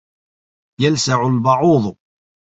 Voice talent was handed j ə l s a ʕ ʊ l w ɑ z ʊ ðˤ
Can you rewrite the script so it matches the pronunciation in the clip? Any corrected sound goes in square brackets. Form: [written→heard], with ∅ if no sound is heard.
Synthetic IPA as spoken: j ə l s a ʕ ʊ l [w→b] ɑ [z→ʕ] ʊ ðˤ